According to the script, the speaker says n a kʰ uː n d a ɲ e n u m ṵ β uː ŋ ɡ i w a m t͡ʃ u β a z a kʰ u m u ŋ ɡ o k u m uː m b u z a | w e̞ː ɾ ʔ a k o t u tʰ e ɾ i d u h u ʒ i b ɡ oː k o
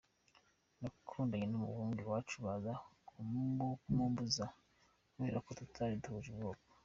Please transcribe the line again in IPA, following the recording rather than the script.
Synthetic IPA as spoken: n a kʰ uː n d a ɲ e n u m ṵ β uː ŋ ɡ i w a t͡ʃ u β a z a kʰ u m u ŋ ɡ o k u m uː m b u z a | w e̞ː ɾ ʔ a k o t u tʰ a ɾ i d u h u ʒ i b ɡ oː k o